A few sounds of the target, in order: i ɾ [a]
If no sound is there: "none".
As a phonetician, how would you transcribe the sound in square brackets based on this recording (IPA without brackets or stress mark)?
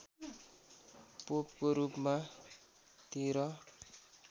ʌ